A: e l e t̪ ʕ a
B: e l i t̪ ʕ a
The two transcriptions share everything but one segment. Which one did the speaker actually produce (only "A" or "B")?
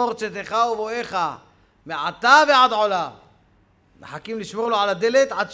A